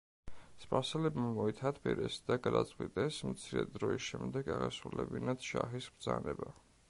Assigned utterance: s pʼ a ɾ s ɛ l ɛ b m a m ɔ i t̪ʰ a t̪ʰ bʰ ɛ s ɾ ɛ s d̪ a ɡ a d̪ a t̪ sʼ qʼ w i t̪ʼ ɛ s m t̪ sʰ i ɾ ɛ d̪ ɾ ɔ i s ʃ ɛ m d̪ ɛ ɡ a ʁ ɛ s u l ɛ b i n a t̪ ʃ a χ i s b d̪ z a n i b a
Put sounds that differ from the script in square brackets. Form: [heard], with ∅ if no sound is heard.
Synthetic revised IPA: s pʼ a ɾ s ɛ l ɛ b m a m ɔ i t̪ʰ a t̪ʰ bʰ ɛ [∅] ɾ ɛ s d̪ a ɡ a d̪ a t̪ sʼ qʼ w i t̪ʼ ɛ s m t̪ sʰ i ɾ ɛ d̪ ɾ ɔ i s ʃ ɛ m d̪ ɛ ɡ a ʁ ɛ s u l ɛ b i n a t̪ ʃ a χ i s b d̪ z a n [ɛ] b a